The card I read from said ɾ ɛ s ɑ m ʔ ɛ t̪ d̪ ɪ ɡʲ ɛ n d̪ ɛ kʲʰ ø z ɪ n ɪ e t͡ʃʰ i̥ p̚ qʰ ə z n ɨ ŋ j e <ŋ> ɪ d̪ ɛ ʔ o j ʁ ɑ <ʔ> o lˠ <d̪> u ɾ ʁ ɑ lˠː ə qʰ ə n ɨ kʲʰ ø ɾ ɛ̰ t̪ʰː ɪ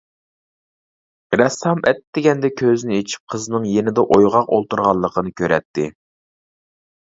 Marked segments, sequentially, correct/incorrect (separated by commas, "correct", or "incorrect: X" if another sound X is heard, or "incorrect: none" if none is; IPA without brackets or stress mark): incorrect: n, incorrect: q, incorrect: t̪